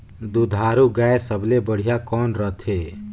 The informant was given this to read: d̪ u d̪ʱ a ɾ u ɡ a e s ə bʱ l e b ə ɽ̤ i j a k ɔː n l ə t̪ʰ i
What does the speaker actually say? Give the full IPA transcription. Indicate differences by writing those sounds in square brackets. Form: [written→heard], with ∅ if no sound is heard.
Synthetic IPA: d̪ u d̪ʱ a ɾ u ɡ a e s ə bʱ l e b ə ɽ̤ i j a k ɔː n [l→ɾ] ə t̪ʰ [i→e]